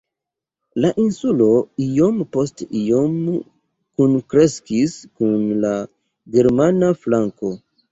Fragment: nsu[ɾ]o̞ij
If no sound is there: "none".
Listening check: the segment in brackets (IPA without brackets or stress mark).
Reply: l